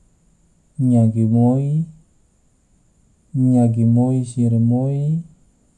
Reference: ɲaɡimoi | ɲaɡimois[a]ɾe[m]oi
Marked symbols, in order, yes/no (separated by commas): no, yes